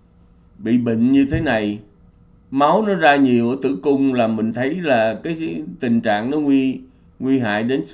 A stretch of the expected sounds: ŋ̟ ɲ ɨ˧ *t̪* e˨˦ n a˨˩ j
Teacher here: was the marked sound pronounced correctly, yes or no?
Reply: no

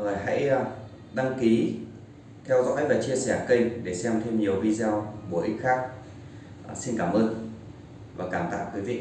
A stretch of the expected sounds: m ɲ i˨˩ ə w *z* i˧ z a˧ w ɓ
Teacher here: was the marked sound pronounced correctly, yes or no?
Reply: no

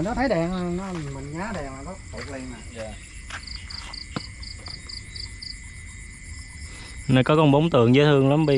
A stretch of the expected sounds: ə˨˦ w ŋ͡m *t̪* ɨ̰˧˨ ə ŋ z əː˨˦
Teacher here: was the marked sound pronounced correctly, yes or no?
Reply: yes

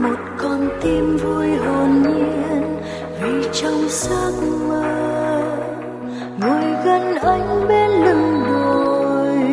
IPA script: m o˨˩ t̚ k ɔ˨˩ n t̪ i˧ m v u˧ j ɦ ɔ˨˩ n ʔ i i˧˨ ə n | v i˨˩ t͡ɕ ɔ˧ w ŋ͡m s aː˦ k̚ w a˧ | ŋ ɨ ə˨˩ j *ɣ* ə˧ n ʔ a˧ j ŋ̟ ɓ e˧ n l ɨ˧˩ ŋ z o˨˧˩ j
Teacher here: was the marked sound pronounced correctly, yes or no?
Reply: yes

